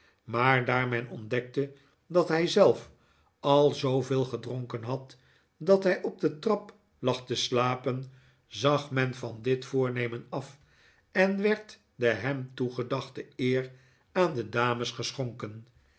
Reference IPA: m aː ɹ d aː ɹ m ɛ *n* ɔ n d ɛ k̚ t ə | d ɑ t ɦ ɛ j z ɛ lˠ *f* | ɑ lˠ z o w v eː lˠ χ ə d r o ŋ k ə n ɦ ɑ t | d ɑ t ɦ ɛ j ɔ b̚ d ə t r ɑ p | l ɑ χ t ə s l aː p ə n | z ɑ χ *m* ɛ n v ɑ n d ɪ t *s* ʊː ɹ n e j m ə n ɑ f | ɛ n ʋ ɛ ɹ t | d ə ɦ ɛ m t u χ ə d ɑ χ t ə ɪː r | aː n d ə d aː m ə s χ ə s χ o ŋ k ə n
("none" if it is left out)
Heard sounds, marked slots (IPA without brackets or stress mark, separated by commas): n, f, m, f